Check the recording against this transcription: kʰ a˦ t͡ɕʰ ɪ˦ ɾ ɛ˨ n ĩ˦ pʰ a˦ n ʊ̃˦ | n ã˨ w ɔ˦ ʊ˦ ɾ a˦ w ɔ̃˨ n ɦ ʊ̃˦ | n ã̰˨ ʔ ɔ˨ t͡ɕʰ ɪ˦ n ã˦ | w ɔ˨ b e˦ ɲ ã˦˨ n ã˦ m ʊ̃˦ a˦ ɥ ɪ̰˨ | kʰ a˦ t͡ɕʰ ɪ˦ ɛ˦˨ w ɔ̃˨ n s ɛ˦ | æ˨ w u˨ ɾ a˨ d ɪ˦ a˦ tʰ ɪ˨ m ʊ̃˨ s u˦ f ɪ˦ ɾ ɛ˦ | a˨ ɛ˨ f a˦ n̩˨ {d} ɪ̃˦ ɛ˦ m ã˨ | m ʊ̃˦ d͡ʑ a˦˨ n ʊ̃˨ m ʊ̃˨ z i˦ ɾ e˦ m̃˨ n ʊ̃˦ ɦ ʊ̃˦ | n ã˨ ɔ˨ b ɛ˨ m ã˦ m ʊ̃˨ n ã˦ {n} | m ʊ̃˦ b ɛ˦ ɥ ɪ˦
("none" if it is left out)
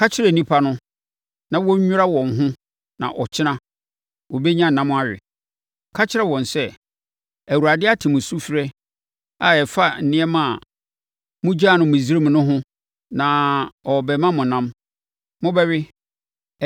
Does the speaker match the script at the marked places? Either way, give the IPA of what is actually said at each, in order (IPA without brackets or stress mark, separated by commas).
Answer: n, m